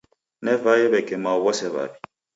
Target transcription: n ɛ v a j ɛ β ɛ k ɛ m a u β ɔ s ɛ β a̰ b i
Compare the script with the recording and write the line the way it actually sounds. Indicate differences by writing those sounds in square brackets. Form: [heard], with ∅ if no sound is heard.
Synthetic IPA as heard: n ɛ v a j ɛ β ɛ k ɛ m a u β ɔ s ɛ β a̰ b i